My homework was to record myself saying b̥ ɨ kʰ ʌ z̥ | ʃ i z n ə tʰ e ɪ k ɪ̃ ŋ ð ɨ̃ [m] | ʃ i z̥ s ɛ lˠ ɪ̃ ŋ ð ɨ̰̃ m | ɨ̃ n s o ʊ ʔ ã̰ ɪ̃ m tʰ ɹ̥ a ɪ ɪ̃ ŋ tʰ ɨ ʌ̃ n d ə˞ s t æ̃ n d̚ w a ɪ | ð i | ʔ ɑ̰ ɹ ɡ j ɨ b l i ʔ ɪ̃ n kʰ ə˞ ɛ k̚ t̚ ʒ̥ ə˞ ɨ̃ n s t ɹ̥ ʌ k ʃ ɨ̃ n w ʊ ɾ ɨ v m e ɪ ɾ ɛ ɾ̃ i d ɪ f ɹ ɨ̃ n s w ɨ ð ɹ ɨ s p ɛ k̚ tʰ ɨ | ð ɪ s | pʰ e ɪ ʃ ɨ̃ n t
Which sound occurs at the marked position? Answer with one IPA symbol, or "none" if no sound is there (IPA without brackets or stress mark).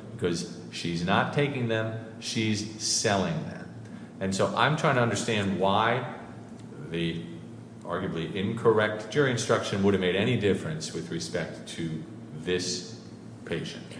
m